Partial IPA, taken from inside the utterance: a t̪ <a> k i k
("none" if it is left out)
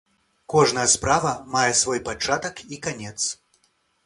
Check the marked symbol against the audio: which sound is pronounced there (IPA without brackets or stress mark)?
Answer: ɐ